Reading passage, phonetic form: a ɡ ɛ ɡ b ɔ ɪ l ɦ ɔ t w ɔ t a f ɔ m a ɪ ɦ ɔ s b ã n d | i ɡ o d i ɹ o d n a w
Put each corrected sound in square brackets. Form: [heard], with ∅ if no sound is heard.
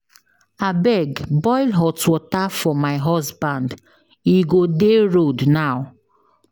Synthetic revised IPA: a [b] ɛ ɡ b ɔ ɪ l ɦ ɔ t w ɔ t a f ɔ m a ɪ ɦ ɔ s b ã n d | i ɡ o d [e] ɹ o d n a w